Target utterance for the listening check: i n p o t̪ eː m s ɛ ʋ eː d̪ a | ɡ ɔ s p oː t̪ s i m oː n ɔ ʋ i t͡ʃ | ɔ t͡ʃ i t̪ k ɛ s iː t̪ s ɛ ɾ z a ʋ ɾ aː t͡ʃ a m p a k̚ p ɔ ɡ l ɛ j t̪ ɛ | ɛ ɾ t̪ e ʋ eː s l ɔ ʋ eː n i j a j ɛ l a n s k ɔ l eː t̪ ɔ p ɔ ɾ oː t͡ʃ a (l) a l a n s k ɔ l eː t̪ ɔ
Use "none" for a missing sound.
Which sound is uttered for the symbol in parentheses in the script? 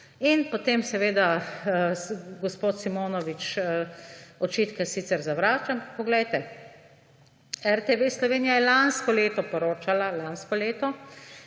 l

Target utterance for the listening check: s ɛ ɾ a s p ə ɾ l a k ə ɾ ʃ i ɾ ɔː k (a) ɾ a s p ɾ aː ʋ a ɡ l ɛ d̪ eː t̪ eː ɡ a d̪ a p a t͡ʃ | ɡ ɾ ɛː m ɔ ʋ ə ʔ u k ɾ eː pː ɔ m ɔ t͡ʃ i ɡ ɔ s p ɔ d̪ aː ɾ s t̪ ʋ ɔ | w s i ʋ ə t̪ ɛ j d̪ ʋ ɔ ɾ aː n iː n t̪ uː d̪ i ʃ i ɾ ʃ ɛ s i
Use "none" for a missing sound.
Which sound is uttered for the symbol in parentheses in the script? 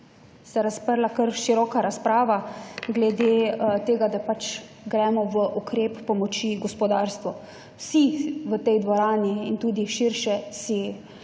a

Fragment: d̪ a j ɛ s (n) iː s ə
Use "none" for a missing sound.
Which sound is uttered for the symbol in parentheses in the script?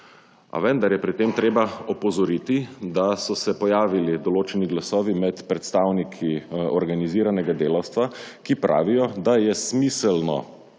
m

